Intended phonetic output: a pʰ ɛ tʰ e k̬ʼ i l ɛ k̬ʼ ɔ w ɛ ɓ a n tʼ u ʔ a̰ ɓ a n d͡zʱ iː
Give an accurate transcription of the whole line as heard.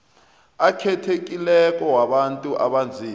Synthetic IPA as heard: a kʰ ɛ tʰ e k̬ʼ i l ɛ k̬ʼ ɔ w a ɓ a n tʼ u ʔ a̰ ɓ a n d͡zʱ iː